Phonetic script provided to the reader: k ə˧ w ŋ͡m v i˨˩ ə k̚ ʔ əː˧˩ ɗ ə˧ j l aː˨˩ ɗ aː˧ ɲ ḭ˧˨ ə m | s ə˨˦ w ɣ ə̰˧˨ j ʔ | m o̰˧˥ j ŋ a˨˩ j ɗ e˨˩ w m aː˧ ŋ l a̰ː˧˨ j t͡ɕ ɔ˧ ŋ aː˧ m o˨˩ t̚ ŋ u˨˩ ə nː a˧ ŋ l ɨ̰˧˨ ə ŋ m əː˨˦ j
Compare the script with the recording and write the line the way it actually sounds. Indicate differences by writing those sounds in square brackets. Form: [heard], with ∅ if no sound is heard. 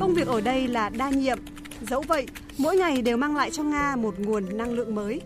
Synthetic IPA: k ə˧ w ŋ͡m v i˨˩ ə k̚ ʔ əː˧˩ ɗ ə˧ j l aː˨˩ ɗ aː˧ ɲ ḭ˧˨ ə m | [z] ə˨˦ w [v] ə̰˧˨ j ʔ | m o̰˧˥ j ŋ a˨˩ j ɗ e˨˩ w m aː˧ ŋ l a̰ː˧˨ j t͡ɕ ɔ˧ ŋ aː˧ m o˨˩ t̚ ŋ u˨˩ ə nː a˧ ŋ l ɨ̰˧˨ ə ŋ m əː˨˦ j